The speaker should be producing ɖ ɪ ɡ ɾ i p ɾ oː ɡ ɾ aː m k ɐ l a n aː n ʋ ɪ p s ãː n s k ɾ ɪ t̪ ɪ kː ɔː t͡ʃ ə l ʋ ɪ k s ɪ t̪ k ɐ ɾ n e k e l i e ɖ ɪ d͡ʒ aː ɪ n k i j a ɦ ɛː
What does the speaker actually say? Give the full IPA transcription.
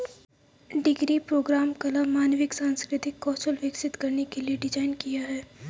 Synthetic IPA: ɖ ɪ ɡ ɾ i p ɾ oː ɡ ɾ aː m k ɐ l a m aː n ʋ ɪ k s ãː n s k ɾ ɪ t̪ ɪ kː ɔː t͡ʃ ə l ʋ ɪ k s ɪ t̪ k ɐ ɾ n e k e l i e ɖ ɪ d͡ʒ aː ɪ n k i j a ɦ ɛː